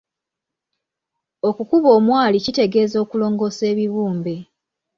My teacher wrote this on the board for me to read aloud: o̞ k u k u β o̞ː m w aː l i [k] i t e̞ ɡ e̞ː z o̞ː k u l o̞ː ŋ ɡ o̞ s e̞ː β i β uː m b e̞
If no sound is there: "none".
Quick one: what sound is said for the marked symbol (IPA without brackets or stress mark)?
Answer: c